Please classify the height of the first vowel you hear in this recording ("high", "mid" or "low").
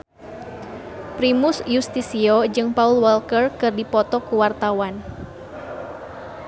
high